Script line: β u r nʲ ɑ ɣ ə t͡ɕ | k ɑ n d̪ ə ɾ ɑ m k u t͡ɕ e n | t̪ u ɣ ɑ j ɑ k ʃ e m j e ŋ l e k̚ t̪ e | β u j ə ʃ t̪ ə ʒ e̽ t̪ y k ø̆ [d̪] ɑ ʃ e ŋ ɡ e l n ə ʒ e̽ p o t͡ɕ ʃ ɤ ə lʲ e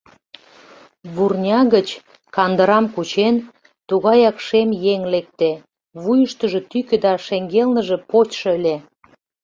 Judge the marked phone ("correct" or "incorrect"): correct